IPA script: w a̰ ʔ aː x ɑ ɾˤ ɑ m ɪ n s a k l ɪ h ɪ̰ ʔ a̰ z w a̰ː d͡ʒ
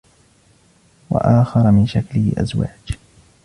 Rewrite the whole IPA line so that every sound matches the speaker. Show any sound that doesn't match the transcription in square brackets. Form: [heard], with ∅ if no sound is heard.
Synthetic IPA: w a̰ ʔ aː x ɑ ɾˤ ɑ m ɪ n [ʃ] a k l ɪ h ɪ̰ ʔ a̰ z w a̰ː d͡ʒ